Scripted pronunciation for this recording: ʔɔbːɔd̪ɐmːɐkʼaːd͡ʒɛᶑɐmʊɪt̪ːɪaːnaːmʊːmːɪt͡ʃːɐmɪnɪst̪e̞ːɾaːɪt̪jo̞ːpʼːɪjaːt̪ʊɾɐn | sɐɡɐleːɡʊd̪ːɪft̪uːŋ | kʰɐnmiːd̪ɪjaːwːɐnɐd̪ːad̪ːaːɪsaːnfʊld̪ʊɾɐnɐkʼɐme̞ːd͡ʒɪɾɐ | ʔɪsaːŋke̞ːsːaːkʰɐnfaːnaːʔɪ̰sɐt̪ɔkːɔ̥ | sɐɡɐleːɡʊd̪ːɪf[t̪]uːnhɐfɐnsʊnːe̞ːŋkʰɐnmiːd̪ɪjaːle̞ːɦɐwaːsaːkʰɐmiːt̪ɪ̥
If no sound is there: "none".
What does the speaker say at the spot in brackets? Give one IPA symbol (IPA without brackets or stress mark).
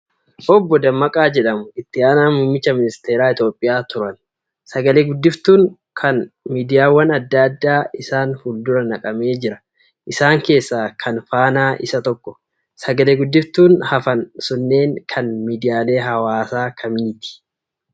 t̪